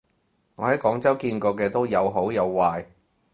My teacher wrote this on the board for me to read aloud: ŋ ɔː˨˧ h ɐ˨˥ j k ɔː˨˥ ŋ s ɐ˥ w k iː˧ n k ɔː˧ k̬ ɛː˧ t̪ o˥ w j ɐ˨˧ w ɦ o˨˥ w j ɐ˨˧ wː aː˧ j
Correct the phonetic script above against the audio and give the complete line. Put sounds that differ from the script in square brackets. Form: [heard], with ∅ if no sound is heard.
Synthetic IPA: ŋ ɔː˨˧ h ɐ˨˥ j k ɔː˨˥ ŋ [t͡s] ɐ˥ w k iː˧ n k ɔː˧ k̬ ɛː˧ t̪ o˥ w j ɐ˨˧ w ɦ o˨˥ w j ɐ˨˧ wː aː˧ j